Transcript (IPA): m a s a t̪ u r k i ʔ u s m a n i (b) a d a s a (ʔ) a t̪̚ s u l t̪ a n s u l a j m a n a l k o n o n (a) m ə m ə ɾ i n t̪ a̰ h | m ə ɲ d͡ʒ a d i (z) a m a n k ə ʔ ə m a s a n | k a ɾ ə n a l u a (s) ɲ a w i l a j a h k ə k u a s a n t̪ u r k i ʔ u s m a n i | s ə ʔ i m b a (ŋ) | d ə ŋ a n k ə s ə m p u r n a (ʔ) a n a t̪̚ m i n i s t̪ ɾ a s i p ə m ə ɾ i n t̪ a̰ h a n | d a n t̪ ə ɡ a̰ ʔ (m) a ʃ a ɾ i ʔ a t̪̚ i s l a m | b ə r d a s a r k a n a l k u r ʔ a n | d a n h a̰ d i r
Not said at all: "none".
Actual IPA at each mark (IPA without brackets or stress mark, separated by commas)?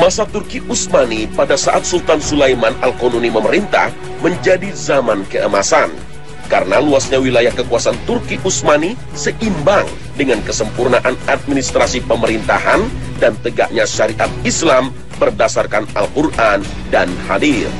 p, ʔ, i, z, s, ŋ, ʔ, ɲ